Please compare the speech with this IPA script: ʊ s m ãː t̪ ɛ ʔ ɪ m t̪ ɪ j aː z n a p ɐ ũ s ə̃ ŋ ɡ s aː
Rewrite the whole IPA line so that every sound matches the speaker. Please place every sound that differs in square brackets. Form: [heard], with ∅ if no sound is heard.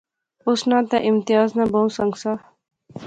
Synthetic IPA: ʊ s [n] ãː t̪ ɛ ʔ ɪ m t̪ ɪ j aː z n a [b] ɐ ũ s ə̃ ŋ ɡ s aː